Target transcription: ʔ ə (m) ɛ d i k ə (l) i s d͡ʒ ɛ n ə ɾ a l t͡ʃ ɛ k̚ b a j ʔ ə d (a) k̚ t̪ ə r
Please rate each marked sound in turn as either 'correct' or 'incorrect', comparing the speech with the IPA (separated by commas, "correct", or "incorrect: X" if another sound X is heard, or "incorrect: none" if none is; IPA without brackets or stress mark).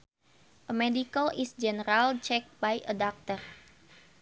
correct, correct, correct